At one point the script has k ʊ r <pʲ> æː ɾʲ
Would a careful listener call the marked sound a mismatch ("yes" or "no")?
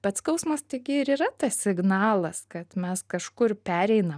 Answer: no